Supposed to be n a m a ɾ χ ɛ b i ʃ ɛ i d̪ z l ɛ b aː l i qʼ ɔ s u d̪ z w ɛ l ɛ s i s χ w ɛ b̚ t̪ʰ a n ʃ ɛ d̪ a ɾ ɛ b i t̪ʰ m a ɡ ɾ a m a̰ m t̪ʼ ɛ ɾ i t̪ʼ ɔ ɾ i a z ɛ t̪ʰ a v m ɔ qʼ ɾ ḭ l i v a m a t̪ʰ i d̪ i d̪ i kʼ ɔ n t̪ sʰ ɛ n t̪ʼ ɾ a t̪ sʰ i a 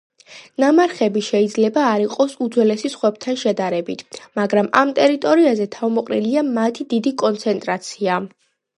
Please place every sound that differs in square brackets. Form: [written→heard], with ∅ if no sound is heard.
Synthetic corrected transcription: n a m a ɾ χ ɛ b i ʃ ɛ i d̪ z l ɛ b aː [l→ɾ] i qʼ ɔ s u d̪ z w ɛ l ɛ s i s χ w ɛ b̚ t̪ʰ a n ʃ ɛ d̪ a ɾ ɛ b i t̪ʰ m a ɡ ɾ a m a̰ m t̪ʼ ɛ ɾ i t̪ʼ ɔ ɾ i a z ɛ t̪ʰ a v m ɔ qʼ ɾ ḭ l i [v→∅] a m a t̪ʰ i d̪ i d̪ i kʼ ɔ n t̪ sʰ ɛ n t̪ʼ ɾ a t̪ sʰ i a